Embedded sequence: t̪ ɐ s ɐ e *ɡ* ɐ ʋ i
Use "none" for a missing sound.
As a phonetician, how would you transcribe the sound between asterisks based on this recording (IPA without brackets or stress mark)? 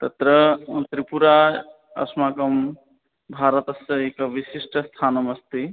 k